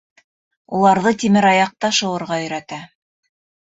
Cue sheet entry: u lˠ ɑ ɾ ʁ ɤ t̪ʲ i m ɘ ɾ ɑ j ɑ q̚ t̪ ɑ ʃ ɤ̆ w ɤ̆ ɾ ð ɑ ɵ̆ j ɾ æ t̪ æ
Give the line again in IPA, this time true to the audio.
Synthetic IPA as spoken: u lˠ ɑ ɾ ð ɤ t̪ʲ i m ɘ ɾ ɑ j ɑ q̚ t̪ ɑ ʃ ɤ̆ w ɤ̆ ɾ ʁ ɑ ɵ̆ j ɾ æ t̪ æ